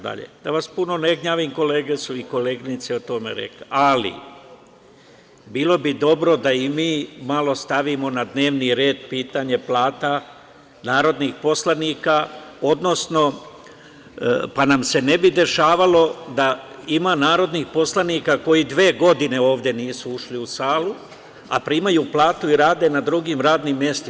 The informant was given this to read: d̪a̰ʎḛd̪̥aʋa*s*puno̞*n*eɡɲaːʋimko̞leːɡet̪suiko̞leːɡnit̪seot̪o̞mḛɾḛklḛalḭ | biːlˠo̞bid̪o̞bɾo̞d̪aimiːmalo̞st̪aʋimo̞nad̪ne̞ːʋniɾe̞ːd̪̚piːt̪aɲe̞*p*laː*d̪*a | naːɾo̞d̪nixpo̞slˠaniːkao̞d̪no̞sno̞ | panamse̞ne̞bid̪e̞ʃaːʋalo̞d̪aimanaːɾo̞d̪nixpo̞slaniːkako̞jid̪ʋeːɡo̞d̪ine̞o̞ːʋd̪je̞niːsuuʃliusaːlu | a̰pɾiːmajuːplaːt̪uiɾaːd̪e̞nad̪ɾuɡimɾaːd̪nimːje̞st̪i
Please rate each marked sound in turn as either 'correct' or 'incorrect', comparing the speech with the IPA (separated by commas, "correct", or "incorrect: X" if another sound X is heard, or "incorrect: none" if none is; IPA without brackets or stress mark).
correct, correct, correct, incorrect: t̪